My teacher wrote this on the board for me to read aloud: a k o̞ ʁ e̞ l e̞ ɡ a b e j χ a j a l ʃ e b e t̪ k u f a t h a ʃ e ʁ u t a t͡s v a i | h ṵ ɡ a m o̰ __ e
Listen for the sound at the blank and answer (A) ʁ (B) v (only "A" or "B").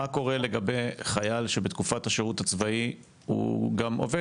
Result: B